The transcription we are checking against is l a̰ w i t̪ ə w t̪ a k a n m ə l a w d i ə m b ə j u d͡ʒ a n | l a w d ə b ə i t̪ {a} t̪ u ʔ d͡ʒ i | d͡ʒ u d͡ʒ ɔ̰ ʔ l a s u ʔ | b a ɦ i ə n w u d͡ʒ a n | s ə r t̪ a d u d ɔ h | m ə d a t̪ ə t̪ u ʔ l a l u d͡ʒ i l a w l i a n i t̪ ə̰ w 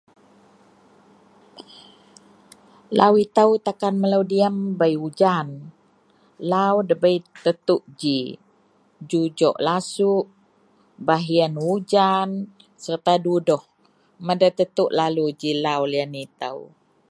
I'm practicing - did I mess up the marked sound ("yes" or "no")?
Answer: yes